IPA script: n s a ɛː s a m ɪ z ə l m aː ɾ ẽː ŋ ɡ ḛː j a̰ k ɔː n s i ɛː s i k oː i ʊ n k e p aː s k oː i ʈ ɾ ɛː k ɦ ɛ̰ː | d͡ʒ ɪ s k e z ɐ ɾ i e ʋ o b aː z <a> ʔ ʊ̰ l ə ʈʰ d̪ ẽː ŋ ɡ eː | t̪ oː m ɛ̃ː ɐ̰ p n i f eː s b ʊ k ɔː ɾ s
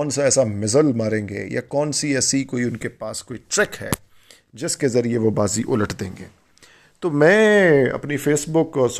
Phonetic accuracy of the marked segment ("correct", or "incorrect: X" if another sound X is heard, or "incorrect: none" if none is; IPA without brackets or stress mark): incorrect: i